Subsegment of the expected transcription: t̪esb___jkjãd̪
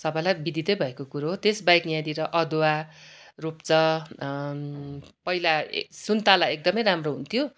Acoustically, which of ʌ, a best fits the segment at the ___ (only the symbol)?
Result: a